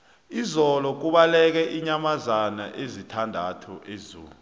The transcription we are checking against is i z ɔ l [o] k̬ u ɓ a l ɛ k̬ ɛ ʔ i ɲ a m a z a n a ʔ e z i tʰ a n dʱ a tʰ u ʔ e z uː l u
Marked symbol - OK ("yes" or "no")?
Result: no